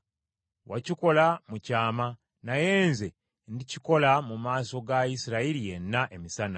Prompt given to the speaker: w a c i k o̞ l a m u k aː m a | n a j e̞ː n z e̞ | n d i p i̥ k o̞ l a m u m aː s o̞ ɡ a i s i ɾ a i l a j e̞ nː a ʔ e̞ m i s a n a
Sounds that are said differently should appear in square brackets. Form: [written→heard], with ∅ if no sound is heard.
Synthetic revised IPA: w a c i k o̞ l a m u [k→c] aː m a | n a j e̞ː n z e̞ | n d i [p→c] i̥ k o̞ l a m u m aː s o̞ ɡ a i s i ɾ a i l [a→i] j e̞ nː a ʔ e̞ m i s a n a